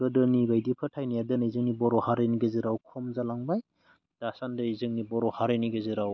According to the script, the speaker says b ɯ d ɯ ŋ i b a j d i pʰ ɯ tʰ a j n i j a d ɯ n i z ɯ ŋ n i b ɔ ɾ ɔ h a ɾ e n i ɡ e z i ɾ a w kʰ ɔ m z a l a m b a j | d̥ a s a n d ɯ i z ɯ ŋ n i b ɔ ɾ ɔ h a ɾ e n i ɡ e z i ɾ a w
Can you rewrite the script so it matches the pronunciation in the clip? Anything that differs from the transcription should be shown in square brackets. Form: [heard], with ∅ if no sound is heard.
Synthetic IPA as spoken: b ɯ d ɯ [n] i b a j d i pʰ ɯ tʰ a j n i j a d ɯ n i z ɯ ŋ n i b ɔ ɾ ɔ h a ɾ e n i ɡ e z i ɾ a w kʰ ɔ m z a l a [ŋ] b a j | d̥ a s a n d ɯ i z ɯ ŋ n i b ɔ ɾ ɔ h a ɾ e n i ɡ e z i ɾ a w